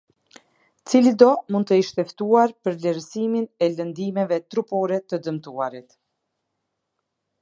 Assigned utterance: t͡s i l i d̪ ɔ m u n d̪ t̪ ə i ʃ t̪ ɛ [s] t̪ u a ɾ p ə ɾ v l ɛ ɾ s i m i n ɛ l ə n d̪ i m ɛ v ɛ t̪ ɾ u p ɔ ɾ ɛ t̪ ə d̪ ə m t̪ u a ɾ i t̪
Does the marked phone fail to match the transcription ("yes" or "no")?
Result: yes